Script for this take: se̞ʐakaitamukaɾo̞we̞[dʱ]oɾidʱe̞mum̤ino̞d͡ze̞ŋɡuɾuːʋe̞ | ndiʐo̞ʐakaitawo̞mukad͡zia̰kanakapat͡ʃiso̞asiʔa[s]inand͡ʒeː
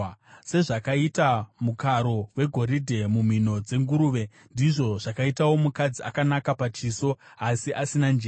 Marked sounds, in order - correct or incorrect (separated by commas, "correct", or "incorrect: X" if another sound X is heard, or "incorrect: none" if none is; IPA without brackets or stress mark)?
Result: incorrect: ɡʱ, correct